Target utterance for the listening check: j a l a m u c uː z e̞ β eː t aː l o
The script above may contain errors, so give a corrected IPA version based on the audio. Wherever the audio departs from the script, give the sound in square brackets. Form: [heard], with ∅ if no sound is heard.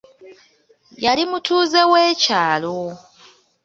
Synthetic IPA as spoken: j a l [i] m u [t] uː z e̞ [w] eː [c] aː l o